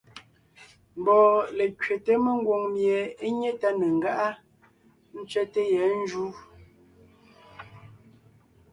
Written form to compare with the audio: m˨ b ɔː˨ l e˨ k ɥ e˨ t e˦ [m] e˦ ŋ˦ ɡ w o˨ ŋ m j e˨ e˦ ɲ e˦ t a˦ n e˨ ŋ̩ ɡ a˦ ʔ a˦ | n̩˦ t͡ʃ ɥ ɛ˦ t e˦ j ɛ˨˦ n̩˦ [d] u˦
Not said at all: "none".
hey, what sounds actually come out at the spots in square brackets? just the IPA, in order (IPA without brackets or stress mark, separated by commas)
m, d͡ʒ